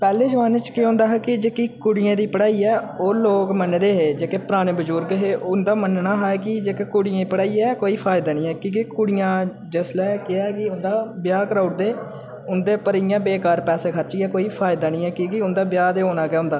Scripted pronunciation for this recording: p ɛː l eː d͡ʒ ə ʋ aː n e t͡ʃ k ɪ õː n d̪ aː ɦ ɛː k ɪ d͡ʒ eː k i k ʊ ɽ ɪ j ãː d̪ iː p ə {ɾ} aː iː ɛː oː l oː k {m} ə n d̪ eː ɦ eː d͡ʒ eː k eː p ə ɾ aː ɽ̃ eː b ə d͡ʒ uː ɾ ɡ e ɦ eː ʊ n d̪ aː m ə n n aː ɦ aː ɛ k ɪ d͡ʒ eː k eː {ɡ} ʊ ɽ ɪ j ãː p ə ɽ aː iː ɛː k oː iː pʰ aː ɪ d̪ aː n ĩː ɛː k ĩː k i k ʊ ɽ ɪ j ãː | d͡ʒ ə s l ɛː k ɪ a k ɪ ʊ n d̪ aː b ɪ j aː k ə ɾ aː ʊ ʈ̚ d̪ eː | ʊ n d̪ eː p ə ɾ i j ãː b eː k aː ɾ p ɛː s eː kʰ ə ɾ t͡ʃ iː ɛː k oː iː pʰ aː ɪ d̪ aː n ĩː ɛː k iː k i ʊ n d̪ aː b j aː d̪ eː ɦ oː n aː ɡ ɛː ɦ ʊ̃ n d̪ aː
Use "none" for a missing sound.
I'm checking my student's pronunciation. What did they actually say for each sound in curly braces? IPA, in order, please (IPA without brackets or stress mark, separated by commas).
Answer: ɽ, m, k